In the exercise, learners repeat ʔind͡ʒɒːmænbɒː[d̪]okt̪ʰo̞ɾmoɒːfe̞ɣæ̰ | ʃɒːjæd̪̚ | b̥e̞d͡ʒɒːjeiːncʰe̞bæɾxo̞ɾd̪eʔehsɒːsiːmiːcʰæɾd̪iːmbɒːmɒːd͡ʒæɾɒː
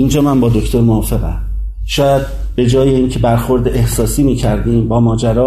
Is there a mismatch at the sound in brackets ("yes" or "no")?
no